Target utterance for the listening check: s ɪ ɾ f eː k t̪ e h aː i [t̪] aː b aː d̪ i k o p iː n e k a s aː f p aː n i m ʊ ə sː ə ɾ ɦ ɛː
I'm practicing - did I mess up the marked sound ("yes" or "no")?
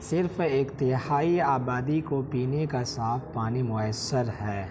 yes